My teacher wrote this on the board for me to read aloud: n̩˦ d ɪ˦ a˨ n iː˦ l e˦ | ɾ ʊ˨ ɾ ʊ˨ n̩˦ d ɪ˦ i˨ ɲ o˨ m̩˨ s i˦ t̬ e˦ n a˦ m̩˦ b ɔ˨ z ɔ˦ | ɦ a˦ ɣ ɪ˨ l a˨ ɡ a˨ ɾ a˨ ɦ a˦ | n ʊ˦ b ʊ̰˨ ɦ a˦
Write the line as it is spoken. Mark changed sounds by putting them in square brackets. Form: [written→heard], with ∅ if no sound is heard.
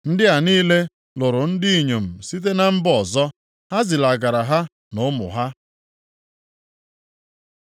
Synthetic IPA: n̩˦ d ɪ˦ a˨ n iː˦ l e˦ | [ɾ→l] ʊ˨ ɾ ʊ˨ n̩˦ d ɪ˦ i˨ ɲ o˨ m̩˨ s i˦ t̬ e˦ n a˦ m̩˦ b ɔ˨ z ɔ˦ | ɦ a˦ [ɣ→z] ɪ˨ l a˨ ɡ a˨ ɾ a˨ ɦ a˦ | n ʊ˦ [b→m] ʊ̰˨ ɦ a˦